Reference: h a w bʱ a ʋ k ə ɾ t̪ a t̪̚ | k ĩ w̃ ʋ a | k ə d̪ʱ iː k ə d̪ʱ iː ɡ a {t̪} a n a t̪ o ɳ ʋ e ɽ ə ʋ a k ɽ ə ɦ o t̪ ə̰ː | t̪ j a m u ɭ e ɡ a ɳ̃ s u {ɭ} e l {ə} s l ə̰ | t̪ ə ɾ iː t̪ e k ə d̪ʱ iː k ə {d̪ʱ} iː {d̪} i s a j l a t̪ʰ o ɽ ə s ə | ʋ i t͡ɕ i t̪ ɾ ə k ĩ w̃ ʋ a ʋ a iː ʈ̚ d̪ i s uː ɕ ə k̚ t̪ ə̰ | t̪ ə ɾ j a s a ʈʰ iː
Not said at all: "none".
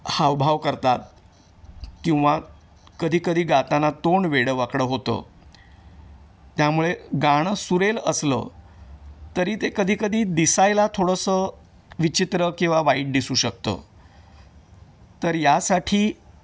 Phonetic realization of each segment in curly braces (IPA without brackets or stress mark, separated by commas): t̪, ɾ, ə, d̪ʱ, d̪